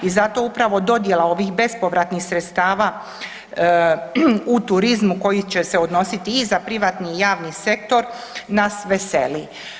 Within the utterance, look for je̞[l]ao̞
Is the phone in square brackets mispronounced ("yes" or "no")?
no